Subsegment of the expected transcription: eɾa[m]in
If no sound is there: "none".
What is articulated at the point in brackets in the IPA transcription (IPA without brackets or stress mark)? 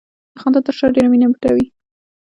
m